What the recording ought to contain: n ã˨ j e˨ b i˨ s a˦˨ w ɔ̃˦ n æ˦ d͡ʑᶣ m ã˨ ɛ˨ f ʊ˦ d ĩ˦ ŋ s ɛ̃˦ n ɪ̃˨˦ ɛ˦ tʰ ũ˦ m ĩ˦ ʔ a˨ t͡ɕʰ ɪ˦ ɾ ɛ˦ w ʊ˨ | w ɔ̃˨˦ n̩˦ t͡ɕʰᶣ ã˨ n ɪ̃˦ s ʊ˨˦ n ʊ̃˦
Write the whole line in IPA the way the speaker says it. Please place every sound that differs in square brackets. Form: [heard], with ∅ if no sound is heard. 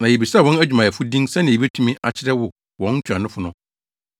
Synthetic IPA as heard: n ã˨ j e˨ b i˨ s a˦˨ w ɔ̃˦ n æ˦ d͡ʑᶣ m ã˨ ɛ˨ f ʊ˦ d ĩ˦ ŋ s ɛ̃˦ n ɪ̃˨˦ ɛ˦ tʰ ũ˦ m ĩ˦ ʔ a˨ t͡ɕʰ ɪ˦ ɾ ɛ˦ w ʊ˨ | w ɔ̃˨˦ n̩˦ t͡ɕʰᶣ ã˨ n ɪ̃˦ [f] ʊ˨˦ n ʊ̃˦